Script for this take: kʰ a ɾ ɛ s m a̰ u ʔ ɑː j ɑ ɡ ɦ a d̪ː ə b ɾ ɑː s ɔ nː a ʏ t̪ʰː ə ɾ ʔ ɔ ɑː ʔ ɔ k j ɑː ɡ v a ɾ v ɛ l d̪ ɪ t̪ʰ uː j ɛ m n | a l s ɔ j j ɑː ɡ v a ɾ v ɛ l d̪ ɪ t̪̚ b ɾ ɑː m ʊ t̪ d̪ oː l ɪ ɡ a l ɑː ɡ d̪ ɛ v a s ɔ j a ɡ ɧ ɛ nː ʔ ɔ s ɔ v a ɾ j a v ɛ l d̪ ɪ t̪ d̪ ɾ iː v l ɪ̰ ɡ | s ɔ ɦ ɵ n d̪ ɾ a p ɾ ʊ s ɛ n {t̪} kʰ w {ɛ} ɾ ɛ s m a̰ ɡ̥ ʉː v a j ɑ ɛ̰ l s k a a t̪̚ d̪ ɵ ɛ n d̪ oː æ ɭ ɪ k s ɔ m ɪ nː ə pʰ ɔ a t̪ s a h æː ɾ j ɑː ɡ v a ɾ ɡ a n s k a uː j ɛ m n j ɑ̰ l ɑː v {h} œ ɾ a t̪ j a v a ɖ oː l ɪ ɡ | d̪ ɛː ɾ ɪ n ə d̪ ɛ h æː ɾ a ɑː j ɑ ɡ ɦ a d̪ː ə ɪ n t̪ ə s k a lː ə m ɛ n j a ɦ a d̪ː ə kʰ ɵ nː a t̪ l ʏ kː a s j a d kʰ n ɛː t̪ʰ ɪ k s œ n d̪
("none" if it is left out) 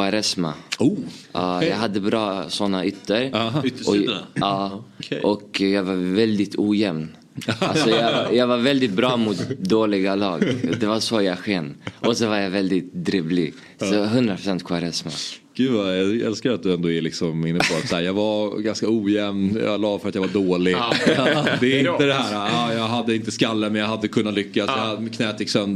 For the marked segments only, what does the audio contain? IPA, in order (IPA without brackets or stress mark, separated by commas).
t̪, a, f